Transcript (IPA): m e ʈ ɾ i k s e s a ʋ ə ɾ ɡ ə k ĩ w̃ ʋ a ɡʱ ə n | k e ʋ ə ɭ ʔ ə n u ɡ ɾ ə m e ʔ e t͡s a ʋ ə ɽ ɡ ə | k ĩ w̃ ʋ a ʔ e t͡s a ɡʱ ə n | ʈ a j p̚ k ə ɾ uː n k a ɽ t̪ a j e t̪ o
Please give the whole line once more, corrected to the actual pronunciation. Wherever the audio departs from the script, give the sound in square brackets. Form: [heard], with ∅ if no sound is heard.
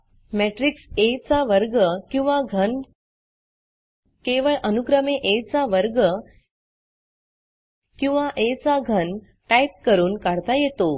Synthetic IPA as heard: m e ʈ ɾ i k s e [t͡s] a ʋ ə ɾ ɡ ə k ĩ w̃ ʋ a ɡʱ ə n | k e ʋ ə ɭ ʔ ə n u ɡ ɾ ə m e ʔ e t͡s a ʋ ə [ɾ] ɡ ə | k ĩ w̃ ʋ a ʔ e t͡s a ɡʱ ə n | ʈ a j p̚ k ə ɾ uː n k a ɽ t̪ a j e t̪ o